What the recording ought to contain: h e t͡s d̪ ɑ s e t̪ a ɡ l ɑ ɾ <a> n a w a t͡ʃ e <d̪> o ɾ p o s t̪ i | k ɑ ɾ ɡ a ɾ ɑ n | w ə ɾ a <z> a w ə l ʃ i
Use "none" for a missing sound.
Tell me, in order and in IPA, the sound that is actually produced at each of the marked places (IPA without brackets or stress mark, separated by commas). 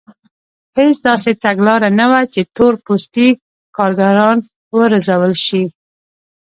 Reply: a, t̪, z